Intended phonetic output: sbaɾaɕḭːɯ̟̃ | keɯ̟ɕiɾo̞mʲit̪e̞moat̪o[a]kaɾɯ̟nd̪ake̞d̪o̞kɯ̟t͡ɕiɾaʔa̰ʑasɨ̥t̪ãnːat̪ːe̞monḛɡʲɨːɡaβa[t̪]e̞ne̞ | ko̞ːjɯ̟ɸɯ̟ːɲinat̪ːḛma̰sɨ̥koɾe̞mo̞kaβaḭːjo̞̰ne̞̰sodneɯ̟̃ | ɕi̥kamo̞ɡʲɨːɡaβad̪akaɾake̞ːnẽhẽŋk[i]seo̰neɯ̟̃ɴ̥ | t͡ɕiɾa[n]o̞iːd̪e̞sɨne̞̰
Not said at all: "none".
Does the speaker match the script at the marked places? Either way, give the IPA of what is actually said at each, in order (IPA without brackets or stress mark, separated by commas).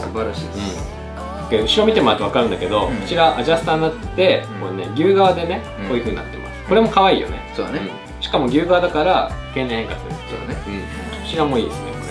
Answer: a, d̪, a, m